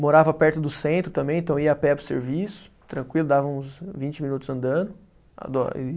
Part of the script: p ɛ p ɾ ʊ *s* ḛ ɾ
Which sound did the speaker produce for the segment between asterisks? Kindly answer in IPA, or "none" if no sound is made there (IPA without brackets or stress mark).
s